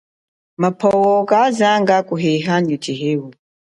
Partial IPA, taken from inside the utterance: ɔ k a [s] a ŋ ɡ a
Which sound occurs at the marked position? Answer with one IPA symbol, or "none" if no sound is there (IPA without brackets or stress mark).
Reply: z